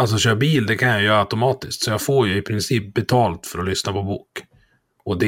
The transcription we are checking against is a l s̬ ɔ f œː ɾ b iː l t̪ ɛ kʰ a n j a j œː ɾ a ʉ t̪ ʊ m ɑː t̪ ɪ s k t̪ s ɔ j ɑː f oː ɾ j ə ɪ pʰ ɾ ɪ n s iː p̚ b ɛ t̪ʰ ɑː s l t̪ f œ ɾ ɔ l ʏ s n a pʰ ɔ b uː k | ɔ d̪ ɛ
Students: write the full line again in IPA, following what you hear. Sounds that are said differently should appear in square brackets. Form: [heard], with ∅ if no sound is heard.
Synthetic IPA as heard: a l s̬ ɔ [ɕ] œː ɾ b iː l [d̪] ɛ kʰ a n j a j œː ɾ a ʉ t̪ ʊ m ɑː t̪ ɪ s k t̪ s ɔ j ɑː f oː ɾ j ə ɪ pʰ ɾ ɪ n s iː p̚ b ɛ t̪ʰ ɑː [∅] l t̪ f œ ɾ ɔ l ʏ s n a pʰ ɔ b uː k | ɔ d̪ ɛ